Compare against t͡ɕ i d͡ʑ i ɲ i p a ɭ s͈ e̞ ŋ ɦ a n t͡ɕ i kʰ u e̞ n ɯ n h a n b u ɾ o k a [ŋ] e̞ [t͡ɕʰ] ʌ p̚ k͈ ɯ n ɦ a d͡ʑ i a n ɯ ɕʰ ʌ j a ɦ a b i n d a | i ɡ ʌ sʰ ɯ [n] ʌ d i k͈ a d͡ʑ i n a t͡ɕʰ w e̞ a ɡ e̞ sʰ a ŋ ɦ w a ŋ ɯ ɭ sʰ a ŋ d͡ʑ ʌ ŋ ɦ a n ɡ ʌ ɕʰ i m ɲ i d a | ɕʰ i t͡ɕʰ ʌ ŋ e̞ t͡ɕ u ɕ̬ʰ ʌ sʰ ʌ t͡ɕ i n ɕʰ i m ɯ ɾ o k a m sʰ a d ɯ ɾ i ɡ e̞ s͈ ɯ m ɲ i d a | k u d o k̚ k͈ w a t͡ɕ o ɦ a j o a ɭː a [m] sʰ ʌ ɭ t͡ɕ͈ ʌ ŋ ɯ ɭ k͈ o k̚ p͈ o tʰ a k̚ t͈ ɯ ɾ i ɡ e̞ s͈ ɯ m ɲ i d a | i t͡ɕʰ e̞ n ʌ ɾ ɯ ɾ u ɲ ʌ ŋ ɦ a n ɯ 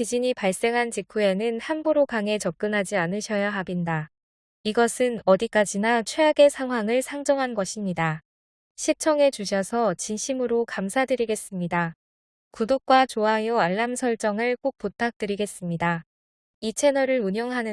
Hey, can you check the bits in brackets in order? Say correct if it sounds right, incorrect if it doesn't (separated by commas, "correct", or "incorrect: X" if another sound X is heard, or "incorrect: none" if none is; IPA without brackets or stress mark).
correct, incorrect: t͡ɕ, correct, correct